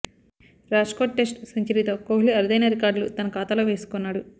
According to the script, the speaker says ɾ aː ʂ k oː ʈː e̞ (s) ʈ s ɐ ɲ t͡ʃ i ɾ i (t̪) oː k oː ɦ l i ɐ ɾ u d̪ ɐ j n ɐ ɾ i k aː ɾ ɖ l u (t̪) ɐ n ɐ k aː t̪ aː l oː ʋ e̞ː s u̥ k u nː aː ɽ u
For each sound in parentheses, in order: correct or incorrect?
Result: correct, correct, correct

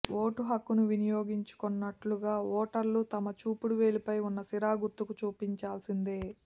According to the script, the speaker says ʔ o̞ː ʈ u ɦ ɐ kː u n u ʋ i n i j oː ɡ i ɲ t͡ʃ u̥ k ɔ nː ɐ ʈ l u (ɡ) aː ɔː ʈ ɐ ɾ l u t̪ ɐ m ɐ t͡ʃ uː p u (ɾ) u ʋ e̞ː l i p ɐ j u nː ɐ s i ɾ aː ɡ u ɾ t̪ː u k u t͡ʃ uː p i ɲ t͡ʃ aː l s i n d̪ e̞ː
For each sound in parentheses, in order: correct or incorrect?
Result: correct, incorrect

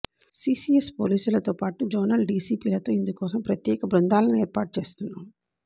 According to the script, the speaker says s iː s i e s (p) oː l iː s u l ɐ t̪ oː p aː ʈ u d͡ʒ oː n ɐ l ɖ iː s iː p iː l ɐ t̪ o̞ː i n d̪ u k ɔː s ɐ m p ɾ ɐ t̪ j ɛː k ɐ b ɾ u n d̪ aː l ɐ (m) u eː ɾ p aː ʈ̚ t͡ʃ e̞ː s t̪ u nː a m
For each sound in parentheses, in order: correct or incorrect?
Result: correct, incorrect

